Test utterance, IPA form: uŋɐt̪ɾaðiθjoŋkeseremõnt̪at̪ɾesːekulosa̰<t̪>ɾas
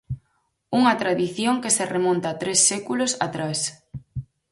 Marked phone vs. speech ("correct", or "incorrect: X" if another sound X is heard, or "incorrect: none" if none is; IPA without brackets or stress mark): correct